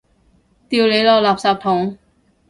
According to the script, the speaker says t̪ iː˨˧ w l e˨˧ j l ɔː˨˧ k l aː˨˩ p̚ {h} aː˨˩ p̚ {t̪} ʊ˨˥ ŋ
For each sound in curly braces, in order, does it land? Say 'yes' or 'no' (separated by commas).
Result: no, no